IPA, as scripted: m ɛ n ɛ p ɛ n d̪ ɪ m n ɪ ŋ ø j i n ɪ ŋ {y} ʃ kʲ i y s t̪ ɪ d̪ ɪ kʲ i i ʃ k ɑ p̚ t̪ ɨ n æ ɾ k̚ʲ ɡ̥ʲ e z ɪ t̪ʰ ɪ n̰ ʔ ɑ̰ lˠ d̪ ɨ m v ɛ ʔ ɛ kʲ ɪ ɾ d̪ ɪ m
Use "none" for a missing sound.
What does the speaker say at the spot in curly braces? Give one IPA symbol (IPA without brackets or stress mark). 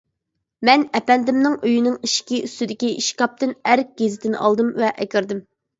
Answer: i